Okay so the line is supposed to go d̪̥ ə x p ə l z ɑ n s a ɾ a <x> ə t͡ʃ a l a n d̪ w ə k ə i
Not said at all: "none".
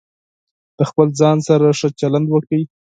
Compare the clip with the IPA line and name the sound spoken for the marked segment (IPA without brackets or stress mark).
ʂ